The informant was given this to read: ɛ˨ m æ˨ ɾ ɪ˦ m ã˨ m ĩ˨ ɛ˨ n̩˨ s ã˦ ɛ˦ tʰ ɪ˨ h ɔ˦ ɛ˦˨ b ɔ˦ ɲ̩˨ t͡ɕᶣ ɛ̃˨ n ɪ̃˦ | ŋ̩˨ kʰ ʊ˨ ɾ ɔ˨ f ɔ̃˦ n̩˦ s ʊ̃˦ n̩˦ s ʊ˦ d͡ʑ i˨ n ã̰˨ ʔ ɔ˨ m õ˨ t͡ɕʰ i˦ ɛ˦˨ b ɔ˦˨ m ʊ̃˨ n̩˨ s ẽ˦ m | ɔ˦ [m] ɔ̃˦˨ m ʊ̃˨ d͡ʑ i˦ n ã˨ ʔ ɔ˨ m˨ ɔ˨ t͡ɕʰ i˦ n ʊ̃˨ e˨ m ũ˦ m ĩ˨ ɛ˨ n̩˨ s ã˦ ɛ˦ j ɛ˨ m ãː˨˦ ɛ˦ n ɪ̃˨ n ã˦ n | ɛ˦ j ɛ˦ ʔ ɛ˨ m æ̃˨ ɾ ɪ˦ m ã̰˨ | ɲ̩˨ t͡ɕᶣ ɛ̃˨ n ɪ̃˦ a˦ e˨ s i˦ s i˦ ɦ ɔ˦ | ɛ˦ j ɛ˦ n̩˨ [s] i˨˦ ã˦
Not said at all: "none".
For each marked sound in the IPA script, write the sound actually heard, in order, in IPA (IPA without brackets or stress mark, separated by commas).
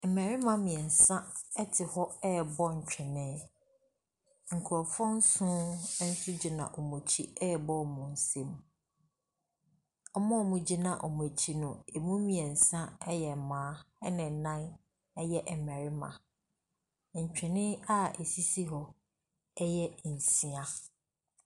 m, s